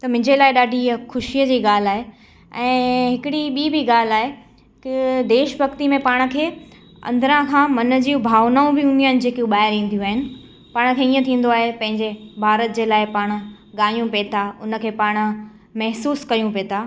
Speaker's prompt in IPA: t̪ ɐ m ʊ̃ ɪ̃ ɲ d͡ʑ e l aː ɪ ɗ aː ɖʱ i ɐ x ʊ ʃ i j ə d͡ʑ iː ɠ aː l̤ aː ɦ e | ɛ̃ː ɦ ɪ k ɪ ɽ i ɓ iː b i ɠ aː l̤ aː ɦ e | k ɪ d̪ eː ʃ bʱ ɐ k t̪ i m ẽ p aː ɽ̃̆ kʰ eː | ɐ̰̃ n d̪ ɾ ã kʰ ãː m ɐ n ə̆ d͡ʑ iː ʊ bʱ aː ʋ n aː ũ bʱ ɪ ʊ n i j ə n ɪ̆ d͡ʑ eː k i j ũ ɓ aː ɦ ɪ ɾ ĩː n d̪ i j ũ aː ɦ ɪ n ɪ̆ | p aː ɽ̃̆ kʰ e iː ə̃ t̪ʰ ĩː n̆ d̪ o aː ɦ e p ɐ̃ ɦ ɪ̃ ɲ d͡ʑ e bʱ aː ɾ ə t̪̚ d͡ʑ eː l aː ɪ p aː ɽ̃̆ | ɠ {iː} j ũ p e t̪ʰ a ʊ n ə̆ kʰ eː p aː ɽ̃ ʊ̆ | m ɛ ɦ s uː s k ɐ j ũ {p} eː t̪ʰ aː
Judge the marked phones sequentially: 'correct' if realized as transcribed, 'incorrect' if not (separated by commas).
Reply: incorrect, correct